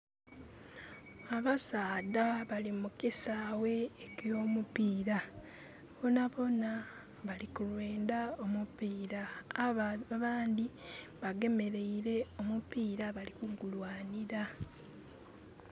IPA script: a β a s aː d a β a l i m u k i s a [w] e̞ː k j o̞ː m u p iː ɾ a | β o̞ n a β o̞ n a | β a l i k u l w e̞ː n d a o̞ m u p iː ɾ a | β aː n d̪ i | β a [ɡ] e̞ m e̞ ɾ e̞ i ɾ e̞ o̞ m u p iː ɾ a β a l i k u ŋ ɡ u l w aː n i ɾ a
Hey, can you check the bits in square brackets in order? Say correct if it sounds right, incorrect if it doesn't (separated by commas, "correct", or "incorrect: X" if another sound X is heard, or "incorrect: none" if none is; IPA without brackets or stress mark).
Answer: correct, correct